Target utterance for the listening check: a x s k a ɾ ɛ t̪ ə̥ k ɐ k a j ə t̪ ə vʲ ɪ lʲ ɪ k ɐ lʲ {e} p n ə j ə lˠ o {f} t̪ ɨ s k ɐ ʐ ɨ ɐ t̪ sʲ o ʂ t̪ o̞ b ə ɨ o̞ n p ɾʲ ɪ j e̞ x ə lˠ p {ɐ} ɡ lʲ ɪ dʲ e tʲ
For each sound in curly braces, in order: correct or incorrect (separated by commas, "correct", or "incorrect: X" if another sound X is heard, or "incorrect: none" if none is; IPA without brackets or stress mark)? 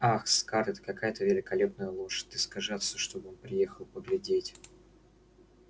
correct, incorrect: ʂ, incorrect: ə